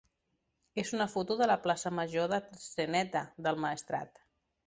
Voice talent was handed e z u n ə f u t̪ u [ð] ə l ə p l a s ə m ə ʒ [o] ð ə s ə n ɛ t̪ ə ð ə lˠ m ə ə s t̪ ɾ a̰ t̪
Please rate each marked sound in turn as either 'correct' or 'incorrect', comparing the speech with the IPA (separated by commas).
correct, correct